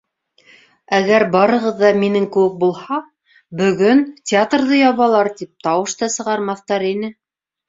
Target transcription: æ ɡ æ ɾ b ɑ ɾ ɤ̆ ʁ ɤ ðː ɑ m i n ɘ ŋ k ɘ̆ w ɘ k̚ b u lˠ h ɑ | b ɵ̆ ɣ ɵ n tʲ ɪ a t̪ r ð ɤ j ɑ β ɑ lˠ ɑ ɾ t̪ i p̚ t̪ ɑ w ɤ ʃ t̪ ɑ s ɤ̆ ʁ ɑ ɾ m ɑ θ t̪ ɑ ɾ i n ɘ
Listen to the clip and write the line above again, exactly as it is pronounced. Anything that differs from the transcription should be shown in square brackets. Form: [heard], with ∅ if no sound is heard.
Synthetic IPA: æ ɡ æ ɾ b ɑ ɾ ɤ̆ ʁ ɤ ðː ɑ m i n ɘ ŋ k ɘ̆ w ɘ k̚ b u lˠ h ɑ | b ɵ̆ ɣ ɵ n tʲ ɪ a t̪ r ð ɤ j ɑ β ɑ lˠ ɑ ɾ t̪ i p̚ t̪ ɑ w ɤ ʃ t̪ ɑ s ɤ̆ ʁ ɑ ɾ m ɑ θ t̪ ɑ ɾ i n ɘ